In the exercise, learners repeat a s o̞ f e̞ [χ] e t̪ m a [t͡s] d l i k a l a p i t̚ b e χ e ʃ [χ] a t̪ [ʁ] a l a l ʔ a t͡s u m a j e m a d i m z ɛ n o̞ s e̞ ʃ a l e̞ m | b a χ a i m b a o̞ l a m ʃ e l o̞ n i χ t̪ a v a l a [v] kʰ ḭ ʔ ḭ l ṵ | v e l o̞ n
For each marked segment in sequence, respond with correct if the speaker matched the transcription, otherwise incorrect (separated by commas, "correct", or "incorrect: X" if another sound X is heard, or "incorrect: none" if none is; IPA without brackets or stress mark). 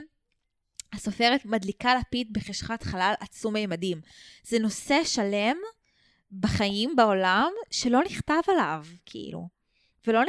incorrect: ʁ, incorrect: none, correct, incorrect: χ, correct